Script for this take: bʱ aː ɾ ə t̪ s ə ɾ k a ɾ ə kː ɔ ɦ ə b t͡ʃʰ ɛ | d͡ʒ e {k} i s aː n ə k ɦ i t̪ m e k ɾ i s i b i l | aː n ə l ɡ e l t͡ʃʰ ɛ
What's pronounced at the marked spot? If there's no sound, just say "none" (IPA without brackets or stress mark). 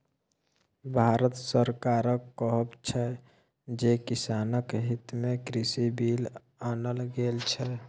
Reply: k